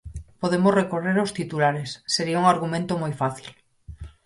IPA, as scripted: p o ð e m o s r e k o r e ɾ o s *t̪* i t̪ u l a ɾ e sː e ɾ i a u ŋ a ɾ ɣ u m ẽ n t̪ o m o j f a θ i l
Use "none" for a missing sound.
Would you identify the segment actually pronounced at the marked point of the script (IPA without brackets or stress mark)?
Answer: t̪